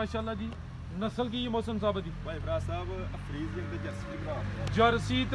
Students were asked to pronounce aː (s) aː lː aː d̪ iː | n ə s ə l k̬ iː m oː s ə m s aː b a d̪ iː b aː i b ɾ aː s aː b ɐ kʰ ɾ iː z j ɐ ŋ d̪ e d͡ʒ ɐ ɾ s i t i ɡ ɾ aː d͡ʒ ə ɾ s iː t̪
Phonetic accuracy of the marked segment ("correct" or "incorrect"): incorrect